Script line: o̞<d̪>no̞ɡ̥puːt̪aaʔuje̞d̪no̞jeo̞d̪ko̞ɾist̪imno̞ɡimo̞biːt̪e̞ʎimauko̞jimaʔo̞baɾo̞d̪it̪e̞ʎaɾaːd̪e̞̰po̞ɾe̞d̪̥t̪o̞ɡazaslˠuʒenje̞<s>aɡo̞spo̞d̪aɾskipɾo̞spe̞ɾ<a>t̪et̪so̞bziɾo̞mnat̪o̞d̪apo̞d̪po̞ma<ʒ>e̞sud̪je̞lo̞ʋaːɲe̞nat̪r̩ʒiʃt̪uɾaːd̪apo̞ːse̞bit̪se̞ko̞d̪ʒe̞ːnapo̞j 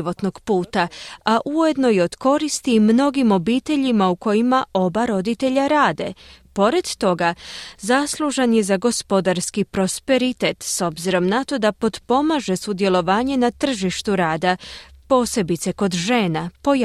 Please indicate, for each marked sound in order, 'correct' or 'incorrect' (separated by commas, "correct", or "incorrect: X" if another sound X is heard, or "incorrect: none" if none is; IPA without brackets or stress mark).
incorrect: t̪, incorrect: z, incorrect: i, correct